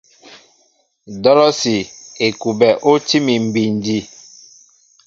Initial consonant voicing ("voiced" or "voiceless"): voiced